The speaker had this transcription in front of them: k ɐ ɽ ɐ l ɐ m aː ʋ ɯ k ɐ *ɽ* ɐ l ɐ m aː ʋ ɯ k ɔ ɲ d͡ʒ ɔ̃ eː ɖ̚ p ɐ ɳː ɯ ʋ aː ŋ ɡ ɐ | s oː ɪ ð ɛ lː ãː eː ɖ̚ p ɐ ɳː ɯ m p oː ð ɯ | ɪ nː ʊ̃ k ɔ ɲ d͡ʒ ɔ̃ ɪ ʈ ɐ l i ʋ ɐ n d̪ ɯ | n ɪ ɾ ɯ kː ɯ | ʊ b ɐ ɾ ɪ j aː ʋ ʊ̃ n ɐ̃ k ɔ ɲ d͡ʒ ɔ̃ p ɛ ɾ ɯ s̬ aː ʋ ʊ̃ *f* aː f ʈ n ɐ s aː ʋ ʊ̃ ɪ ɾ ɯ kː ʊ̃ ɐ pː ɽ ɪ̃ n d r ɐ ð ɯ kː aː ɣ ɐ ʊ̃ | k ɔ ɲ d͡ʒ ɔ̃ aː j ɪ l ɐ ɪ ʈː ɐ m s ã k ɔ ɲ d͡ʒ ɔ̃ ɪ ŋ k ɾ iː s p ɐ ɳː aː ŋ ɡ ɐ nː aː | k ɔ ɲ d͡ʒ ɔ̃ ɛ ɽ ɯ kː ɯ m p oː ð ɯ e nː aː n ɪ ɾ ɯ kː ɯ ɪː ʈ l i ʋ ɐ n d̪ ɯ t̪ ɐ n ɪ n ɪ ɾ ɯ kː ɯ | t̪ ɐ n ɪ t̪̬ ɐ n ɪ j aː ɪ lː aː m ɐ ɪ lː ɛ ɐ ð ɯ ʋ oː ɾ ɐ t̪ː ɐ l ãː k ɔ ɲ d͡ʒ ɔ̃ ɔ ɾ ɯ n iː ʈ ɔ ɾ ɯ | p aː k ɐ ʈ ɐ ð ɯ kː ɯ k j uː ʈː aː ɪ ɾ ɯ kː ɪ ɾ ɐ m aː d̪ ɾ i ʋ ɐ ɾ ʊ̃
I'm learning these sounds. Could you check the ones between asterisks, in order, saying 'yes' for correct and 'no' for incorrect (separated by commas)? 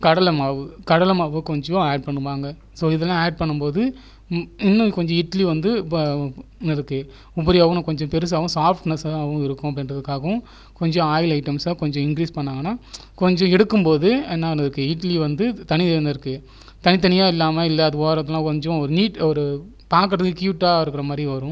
yes, no